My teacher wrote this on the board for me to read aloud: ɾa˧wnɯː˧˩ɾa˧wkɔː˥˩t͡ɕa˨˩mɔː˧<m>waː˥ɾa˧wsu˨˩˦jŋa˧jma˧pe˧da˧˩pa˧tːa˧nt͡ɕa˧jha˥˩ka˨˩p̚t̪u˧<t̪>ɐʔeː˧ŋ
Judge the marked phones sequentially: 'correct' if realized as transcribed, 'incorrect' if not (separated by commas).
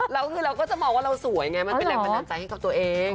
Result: incorrect, incorrect